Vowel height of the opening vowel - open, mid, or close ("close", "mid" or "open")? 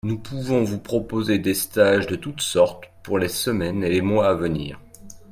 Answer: close